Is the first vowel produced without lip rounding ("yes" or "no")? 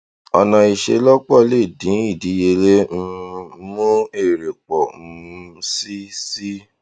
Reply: no